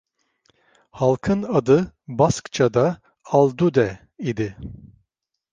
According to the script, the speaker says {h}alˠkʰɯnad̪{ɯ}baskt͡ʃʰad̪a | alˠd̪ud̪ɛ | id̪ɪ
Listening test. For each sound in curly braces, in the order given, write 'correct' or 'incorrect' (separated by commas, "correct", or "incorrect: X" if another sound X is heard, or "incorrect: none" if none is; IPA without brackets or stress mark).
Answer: correct, correct